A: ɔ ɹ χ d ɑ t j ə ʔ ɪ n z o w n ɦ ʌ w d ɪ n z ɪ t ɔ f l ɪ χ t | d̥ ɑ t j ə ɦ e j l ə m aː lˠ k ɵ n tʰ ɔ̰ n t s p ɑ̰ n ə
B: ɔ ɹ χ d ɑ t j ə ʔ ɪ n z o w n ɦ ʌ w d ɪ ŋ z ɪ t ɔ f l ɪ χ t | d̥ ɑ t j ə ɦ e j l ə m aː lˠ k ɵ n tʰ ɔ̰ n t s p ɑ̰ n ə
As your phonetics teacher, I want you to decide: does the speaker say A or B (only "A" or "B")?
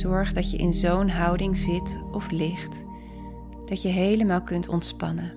B